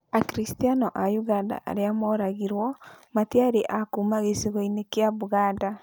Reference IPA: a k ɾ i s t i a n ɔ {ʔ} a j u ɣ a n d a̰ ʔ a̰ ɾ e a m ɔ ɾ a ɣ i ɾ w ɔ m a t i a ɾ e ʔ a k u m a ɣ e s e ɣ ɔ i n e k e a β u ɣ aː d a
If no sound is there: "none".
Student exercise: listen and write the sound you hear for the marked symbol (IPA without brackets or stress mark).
ʔ